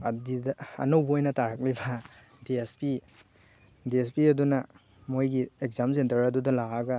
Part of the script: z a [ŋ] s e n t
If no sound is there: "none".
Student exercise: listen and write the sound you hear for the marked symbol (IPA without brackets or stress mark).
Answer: m